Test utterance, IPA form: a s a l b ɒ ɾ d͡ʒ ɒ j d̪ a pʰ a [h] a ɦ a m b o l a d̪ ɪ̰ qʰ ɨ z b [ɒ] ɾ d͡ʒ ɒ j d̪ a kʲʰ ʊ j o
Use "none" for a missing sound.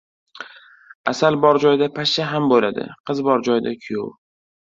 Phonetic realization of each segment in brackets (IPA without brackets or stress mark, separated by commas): ʃ, ɒ